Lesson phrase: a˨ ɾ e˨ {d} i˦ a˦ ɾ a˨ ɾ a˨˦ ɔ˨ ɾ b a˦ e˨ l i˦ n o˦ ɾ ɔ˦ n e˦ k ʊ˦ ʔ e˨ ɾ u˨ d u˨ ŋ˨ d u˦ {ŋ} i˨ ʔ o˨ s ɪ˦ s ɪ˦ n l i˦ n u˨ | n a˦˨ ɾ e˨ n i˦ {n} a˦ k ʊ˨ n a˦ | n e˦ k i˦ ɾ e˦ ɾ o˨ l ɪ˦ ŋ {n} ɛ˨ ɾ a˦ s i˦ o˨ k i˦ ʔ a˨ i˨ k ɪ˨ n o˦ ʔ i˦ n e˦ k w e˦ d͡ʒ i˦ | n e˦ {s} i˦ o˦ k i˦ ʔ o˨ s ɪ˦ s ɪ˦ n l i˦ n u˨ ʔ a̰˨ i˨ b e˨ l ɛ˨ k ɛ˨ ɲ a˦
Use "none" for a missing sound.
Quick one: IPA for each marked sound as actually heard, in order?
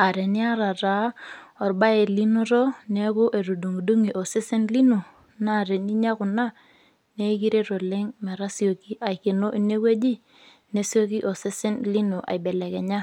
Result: n, ŋ, ɲ, m, s

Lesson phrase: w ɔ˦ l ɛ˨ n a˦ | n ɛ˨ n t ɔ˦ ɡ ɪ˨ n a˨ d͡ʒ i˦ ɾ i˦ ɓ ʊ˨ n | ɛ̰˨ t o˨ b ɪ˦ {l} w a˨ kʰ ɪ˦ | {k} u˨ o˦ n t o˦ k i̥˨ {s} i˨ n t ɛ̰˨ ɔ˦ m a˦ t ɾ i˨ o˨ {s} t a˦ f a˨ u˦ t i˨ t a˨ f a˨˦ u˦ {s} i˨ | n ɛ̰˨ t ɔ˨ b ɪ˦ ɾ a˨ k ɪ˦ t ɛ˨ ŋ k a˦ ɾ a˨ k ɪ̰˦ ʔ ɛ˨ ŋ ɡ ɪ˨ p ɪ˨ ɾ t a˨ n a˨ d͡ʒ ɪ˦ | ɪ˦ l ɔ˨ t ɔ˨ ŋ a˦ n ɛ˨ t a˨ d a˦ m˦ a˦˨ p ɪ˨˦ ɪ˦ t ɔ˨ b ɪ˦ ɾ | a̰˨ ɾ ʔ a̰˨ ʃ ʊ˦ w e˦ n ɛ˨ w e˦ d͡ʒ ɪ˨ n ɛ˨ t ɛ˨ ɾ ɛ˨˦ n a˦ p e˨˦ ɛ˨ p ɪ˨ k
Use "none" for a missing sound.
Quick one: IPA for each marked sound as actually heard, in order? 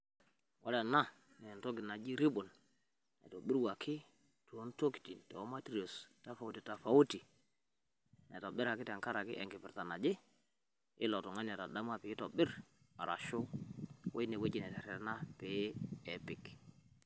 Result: ɾ, t, t, s, t

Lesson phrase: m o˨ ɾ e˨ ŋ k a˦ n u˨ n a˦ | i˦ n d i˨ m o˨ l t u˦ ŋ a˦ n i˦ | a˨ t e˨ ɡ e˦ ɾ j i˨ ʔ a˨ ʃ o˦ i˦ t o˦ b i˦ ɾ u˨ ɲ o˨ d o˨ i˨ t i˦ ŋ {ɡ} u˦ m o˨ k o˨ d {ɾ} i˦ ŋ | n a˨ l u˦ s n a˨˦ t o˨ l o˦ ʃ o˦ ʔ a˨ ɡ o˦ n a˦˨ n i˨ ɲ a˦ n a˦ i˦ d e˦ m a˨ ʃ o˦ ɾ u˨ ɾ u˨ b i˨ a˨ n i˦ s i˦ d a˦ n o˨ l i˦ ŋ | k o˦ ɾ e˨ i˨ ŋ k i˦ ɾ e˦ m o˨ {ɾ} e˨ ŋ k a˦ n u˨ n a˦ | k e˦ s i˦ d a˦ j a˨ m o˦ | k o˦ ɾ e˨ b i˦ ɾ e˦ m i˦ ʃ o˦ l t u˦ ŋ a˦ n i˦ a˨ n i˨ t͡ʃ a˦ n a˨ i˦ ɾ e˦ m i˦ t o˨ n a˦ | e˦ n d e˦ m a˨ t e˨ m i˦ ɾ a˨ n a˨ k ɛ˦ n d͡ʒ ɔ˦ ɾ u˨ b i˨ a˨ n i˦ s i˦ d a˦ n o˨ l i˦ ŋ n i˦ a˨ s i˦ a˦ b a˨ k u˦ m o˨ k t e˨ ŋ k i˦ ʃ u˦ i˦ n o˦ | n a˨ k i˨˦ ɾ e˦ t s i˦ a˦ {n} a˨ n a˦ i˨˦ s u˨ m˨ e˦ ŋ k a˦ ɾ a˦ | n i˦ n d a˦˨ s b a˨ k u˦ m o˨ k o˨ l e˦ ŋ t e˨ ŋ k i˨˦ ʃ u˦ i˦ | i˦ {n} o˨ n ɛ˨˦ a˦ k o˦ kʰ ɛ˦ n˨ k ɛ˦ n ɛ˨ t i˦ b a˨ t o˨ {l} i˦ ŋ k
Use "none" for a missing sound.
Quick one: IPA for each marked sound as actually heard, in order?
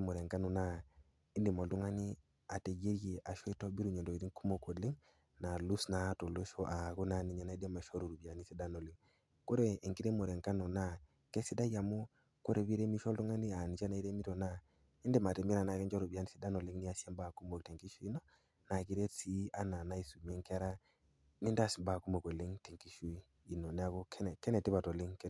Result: k, l, ɾ, n, n, l

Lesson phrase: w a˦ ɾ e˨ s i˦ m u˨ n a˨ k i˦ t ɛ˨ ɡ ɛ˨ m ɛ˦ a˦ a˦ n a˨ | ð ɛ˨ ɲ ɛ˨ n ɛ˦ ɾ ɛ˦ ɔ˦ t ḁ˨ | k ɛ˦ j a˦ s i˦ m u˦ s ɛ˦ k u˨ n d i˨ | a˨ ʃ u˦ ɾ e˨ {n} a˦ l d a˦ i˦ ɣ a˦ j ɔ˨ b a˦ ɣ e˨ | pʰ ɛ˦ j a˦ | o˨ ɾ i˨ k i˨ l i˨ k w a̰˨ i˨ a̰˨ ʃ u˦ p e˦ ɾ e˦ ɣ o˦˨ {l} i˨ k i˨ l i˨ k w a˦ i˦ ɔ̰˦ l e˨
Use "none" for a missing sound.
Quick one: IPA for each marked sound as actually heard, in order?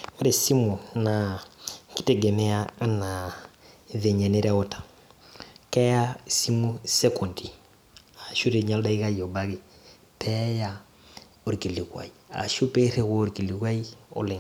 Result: ɲ, ɾ

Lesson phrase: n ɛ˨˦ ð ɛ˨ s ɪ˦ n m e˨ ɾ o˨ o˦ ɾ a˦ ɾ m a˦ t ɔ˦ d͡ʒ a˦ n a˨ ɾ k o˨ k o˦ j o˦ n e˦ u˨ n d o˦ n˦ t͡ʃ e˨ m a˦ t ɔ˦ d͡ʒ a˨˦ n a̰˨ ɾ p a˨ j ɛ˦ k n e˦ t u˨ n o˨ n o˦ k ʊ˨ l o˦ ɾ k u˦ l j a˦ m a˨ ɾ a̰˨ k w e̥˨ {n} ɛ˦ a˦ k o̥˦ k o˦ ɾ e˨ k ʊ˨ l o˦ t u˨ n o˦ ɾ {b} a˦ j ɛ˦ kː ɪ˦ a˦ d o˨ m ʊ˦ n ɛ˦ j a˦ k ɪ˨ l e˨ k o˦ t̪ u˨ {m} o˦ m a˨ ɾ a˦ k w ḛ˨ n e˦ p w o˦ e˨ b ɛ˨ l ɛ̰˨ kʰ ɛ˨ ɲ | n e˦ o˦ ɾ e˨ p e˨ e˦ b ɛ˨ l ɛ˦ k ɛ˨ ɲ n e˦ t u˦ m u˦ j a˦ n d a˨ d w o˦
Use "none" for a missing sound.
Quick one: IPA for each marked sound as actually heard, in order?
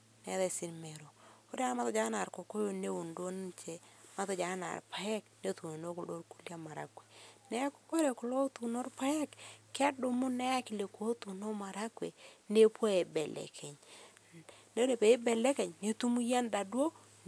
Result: n, p, n

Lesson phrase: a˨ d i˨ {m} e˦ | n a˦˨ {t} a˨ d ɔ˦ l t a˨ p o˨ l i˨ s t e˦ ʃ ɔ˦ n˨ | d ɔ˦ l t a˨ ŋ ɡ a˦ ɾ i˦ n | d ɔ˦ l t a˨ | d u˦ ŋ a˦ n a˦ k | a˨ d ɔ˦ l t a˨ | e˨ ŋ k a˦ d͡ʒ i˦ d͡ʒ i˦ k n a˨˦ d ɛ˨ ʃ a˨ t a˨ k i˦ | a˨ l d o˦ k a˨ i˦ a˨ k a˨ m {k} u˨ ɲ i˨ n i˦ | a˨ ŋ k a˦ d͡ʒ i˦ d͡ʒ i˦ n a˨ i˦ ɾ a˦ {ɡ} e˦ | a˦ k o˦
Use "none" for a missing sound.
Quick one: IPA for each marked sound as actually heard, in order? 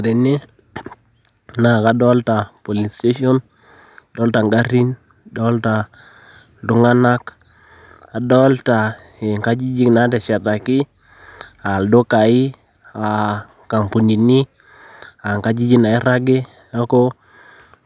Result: n, k, p, ɡ

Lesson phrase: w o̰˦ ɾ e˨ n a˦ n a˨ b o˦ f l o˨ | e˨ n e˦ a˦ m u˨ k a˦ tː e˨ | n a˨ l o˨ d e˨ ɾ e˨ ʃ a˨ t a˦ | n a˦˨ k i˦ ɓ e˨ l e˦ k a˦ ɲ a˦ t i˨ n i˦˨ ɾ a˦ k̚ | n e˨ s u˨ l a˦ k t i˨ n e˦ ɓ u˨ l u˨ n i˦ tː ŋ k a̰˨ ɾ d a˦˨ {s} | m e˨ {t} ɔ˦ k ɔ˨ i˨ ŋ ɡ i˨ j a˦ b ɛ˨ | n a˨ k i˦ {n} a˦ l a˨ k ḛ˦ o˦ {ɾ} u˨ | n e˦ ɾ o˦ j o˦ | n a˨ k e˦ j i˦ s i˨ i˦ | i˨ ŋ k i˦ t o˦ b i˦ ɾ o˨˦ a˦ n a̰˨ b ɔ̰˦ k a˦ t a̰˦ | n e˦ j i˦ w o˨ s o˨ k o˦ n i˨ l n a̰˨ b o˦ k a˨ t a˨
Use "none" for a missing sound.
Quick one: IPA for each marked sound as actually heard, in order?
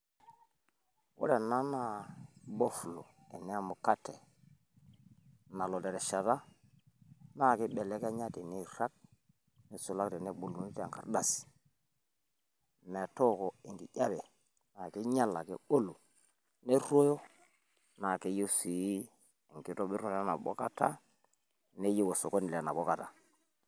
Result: s, t, ɲ, l

